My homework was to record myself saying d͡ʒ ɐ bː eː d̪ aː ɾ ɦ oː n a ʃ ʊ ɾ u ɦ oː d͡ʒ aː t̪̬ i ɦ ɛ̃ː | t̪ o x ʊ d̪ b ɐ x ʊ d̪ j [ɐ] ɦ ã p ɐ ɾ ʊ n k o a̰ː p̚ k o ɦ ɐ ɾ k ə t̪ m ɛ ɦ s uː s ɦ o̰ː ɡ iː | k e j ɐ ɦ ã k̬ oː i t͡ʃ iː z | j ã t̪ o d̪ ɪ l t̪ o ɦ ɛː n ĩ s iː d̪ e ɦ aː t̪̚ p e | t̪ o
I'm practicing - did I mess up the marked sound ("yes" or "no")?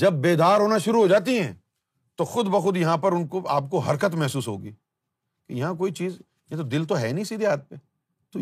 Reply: no